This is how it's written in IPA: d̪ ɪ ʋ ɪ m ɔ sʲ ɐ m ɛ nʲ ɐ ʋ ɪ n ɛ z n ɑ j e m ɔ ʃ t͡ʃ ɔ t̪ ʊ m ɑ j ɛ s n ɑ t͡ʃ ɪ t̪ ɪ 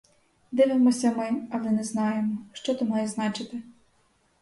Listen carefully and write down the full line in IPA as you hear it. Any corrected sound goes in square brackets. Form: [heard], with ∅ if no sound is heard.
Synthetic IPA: d̪ ɪ ʋ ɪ m ɔ sʲ ɐ m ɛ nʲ ɐ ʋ ɪ n ɛ z n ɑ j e m ɔ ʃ t͡ʃ ɔ t̪ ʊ m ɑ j ɛ [z] n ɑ t͡ʃ ɪ t̪ ɪ